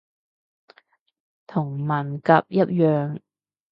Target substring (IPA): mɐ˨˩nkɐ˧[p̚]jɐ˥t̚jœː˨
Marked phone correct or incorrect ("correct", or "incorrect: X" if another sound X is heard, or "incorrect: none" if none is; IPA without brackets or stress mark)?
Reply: correct